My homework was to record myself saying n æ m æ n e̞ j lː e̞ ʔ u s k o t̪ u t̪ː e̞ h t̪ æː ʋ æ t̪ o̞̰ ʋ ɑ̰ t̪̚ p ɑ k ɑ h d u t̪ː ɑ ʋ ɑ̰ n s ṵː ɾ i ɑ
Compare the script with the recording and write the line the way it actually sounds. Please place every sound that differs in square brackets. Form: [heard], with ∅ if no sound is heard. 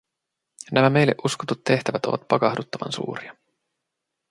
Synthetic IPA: n æ m æ [m] e̞ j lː e̞ ʔ u s k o t̪ u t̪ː e̞ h t̪ [æ] ʋ æ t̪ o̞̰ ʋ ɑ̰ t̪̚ p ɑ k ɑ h d u t̪ː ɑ ʋ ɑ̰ n s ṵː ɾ i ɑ